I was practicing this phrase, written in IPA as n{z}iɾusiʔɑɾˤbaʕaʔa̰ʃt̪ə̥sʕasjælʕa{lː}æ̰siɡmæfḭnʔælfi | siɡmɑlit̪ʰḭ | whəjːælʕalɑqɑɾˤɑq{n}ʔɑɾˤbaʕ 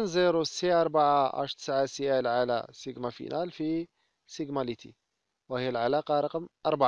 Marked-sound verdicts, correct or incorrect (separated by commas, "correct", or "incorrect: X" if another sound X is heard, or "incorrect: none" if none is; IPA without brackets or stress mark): correct, incorrect: l, incorrect: m